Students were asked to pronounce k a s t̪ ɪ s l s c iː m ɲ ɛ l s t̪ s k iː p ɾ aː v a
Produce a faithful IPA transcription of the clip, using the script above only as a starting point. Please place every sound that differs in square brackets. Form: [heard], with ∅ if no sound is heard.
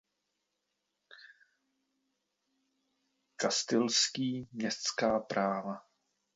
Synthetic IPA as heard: k a s t̪ ɪ [∅] l s [k] iː m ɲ ɛ [∅] s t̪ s k [aː] p ɾ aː v a